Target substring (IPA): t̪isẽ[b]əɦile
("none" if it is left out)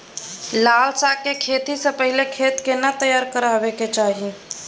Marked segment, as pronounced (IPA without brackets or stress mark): p